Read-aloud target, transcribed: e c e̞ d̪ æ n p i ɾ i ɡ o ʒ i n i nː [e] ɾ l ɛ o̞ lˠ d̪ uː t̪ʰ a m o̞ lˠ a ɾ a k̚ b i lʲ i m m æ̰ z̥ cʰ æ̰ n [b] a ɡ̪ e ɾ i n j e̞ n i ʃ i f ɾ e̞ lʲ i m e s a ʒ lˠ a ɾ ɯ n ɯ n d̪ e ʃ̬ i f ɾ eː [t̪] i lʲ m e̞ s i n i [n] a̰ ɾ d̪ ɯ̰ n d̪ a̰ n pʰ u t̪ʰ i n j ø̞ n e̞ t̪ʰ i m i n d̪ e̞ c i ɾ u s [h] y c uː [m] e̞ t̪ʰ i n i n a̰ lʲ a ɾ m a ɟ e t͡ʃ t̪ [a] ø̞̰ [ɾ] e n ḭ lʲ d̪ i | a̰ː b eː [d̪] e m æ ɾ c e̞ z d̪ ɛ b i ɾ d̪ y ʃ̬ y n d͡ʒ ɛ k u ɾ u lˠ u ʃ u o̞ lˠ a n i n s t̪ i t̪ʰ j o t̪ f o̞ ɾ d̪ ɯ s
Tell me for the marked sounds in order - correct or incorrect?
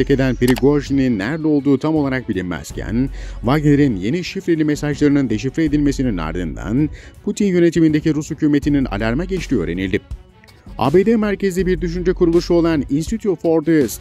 incorrect, incorrect, incorrect, correct, correct, correct, incorrect, correct, correct

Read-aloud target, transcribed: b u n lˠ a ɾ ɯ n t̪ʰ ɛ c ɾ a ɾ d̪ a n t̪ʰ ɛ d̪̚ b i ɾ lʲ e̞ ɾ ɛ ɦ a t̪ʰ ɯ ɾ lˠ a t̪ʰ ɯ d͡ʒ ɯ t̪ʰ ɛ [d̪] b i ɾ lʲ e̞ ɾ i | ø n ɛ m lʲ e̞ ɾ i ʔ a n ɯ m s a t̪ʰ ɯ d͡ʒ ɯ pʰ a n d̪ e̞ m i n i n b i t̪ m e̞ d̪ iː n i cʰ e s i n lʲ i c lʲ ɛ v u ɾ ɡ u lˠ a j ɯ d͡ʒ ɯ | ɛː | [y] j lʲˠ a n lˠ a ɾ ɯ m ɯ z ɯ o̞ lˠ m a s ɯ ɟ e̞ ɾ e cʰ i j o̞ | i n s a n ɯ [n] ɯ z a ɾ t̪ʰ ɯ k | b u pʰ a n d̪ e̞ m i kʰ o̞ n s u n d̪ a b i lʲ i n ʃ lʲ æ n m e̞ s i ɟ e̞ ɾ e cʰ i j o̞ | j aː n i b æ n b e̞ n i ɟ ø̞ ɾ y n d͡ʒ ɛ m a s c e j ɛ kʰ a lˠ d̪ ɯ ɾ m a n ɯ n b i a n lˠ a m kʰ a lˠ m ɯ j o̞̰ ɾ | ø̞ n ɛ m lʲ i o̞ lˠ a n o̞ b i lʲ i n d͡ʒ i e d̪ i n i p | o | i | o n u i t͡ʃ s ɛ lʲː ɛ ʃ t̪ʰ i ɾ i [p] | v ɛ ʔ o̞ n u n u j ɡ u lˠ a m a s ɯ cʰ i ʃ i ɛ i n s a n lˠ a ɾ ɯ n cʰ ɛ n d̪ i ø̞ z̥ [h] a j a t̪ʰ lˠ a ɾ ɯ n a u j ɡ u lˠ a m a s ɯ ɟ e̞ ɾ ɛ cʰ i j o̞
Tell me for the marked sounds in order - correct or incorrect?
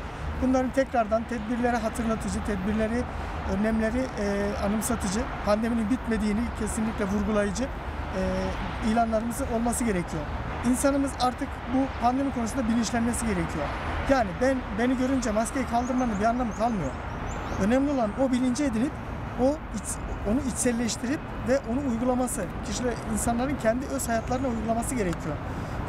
correct, incorrect, incorrect, correct, correct

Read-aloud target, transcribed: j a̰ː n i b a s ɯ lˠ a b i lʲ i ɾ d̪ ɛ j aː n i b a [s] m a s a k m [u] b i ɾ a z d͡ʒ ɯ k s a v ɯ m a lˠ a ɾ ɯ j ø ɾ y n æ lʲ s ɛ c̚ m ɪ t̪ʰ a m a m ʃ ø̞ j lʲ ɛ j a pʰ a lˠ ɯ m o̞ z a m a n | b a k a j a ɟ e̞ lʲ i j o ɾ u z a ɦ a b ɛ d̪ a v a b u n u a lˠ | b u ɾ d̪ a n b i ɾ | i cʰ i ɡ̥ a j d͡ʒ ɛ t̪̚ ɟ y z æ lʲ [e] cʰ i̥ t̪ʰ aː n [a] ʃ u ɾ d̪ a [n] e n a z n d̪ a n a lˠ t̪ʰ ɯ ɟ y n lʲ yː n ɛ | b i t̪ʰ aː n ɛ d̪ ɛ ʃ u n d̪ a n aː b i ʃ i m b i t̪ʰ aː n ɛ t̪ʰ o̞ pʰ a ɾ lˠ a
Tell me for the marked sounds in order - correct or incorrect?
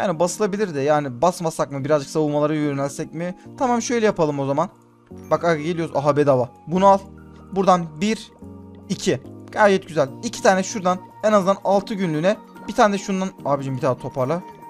correct, incorrect, incorrect, incorrect, correct

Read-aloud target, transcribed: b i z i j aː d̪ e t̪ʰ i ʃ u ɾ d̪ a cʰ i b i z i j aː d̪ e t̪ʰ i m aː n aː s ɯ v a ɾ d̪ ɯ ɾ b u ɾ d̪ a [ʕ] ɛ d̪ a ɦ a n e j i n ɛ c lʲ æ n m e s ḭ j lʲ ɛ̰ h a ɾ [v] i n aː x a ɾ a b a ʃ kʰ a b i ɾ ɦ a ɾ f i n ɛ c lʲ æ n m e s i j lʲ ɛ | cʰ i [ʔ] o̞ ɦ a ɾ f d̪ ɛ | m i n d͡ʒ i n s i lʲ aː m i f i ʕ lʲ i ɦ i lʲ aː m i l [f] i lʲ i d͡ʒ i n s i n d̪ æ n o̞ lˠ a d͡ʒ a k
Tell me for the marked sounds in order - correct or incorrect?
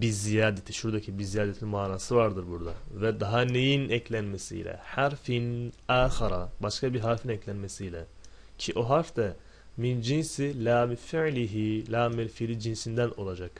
incorrect, incorrect, correct, correct

